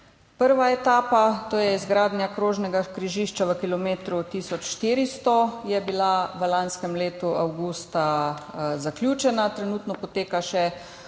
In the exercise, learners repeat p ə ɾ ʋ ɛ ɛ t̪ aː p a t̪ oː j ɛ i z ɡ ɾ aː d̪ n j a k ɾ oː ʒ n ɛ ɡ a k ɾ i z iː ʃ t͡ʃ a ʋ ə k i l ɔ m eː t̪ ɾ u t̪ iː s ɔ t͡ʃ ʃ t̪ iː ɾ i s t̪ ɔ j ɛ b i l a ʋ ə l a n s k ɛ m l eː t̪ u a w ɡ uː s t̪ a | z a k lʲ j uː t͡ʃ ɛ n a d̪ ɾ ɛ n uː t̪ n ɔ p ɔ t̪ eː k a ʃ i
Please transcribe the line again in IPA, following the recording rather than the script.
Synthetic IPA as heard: p ə ɾ ʋ a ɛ t̪ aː p a t̪ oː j ɛ i z ɡ ɾ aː d̪ n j a k ɾ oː ʒ n ɛ ɡ a k ɾ i ʒ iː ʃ t͡ʃ a ʋ ə k i l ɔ m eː t̪ ɾ u t̪ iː s ɔ t͡ʃ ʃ t̪ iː ɾ i s t̪ ɔ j ɛ b i l a ʋ ə l a n s k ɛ m l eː t̪ u a w ɡ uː s t̪ a | z a k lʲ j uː t͡ʃ ɛ n a t̪ ɾ ɛ n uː t̪ n ɔ p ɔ t̪ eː k a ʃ ɛ

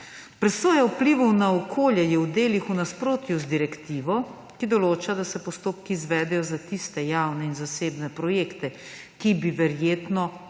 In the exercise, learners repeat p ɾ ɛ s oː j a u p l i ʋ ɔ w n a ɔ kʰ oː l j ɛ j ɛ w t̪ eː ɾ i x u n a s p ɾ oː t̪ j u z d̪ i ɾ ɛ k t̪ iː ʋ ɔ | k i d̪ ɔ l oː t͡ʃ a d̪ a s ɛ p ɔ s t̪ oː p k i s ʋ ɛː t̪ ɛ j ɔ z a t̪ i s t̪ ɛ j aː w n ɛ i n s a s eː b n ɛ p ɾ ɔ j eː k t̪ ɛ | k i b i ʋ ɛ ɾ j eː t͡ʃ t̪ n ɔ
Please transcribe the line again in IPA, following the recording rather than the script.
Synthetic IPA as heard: p ɾ ɛ s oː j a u p l i ʋ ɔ w n a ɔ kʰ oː l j ɛ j ɛ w d̪ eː l i x u n a s p ɾ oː t̪ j u z d̪ i ɾ ɛ k t̪ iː ʋ ɔ | k i d̪ ɔ l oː t͡ʃ a d̪ a s ɛ p ɔ s t̪ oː p k i z ʋ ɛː d̪ ɛ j ɔ z a t̪ i s t̪ ɛ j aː w n ɛ i n z a s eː b n ɛ p ɾ ɔ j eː k t̪ ɛ | k i b i ʋ ɛ ɾ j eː t̪ n ɔ

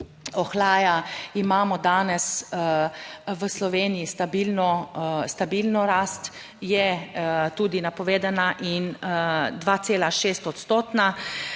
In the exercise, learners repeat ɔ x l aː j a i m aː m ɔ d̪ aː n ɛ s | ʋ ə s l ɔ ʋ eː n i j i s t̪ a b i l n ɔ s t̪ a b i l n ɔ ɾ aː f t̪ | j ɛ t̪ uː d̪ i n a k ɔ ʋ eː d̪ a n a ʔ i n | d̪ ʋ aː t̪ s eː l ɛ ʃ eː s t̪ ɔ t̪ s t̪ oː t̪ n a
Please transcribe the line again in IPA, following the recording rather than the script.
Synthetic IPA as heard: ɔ x l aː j a i m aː m ɔ d̪ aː n ɛ s | ʋ ə s l ɔ ʋ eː n i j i s t̪ a b i l n ɔ s t̪ a b i l n ɔ ɾ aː s t̪ | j ɛ t̪ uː d̪ i n a p ɔ ʋ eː d̪ a n a ʔ i n | d̪ ʋ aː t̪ s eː l a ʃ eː s t̪ ɔ t̪ s t̪ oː t̪ n a

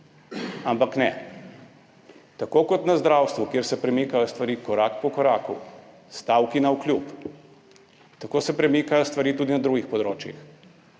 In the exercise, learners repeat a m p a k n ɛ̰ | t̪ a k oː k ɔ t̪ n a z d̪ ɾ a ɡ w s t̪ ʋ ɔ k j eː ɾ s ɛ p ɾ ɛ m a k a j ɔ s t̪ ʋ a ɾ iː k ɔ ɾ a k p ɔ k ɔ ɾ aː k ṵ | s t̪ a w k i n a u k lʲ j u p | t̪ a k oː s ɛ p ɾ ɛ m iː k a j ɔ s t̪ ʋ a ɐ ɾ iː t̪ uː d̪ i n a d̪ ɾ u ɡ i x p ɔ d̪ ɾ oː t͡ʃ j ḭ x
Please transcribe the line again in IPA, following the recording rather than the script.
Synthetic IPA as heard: a m p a k n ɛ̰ | t̪ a k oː k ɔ t̪ n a z d̪ ɾ a w s t̪ ʋ u k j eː ɾ s ɛ p ɾ ɛ m i k a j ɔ s t̪ ʋ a ɾ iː k ɔ ɾ a k p ɔ k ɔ ɾ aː k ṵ | s t̪ a w k i n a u k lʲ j u p | t̪ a k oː s ɛ p ɾ ɛ m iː k a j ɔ s t̪ ʋ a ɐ ɾ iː t̪ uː d̪ i n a d̪ ɾ u ɡ i x p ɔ d̪ ɾ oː t͡ʃ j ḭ x

